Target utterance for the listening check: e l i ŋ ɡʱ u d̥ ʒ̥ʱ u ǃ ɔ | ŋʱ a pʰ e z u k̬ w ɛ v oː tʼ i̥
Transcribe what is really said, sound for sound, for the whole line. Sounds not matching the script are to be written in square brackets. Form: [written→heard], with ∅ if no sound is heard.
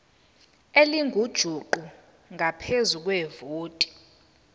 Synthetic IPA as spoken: e l i ŋ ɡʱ u d̥ ʒ̥ʱ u ǃ [ɔ→u] | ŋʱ a pʰ e z u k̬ w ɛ v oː tʼ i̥